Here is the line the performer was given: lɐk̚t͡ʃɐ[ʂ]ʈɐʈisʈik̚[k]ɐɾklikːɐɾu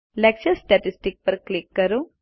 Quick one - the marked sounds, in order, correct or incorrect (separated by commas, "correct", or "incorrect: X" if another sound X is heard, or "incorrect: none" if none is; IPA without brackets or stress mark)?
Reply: incorrect: s, incorrect: p